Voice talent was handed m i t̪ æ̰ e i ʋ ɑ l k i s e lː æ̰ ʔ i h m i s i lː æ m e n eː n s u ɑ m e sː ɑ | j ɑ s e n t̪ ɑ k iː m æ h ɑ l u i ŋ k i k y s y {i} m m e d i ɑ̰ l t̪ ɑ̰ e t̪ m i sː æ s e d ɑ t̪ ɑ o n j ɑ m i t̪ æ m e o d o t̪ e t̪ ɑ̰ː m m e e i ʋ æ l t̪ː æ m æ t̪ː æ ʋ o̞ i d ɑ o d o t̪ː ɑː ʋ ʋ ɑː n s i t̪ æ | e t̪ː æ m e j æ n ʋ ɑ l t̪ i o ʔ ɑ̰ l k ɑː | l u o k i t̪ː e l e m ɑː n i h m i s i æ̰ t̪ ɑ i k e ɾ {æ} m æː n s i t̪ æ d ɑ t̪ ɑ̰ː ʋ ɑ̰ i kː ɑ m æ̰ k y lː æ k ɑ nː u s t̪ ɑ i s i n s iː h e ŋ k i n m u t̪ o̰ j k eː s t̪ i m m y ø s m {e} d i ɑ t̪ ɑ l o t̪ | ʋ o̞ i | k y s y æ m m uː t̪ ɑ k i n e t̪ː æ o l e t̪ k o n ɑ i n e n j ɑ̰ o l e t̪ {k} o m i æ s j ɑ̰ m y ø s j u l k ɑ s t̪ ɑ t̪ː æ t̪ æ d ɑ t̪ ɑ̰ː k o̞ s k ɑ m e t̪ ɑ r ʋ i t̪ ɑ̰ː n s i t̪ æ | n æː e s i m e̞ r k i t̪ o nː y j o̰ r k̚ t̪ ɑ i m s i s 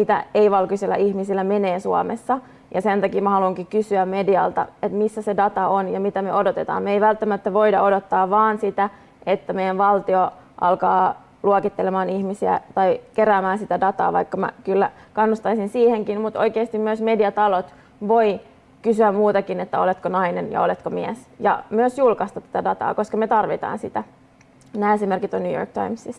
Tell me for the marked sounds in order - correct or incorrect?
incorrect: æ, incorrect: æː, correct, correct

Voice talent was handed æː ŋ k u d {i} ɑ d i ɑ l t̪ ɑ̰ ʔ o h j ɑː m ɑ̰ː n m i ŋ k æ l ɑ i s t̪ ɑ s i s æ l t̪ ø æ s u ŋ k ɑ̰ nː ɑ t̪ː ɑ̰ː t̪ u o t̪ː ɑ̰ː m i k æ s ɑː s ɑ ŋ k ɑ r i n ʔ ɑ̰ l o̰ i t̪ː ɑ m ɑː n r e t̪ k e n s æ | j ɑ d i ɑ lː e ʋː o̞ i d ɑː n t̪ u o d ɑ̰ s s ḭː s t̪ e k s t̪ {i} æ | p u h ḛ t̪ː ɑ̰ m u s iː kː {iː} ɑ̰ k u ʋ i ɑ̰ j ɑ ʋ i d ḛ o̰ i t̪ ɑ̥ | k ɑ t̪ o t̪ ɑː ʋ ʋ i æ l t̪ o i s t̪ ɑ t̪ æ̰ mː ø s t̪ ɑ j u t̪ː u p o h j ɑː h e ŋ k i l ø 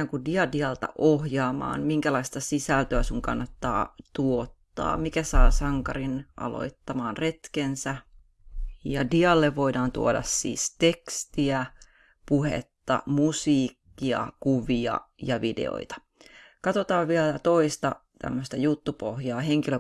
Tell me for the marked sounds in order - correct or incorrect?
correct, correct, incorrect: i

